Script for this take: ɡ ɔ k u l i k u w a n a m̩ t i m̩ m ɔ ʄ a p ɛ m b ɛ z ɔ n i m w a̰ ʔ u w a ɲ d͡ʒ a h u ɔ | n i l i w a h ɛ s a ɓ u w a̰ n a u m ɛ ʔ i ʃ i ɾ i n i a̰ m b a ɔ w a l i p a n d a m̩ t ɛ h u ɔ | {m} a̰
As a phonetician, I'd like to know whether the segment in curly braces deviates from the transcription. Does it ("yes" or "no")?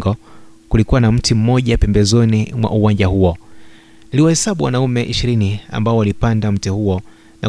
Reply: yes